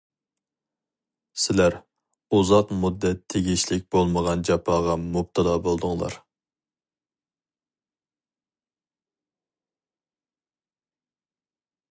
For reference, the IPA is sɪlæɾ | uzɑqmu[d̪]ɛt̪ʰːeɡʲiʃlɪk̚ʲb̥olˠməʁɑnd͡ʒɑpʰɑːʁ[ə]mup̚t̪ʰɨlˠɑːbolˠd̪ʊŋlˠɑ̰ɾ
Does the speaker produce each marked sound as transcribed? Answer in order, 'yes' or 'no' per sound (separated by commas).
no, no